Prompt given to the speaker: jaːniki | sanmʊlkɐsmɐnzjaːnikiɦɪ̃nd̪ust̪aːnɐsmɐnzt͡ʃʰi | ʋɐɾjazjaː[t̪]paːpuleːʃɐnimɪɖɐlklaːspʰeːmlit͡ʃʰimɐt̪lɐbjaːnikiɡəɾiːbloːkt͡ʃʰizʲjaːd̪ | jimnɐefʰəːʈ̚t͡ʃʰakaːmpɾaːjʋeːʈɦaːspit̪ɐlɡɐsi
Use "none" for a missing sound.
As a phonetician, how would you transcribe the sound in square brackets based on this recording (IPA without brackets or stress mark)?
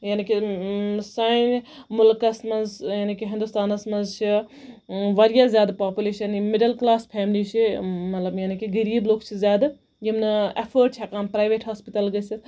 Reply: d̪